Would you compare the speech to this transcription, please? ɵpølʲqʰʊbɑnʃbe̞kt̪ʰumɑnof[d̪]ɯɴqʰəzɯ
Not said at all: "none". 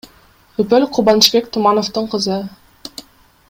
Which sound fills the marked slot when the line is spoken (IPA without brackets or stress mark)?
t̪